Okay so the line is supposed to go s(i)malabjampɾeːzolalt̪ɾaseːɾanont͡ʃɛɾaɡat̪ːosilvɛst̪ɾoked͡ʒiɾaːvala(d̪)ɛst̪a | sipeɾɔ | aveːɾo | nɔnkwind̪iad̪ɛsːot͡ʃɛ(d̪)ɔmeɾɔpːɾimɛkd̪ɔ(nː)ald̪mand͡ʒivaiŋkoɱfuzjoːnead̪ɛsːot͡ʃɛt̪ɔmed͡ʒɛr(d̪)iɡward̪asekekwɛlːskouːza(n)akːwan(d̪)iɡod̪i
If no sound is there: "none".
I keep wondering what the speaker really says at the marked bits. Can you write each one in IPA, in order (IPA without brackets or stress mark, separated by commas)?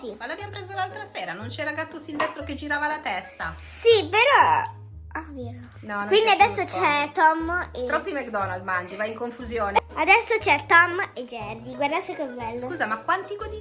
i, t̪, t̪, n, d̪, m, t̪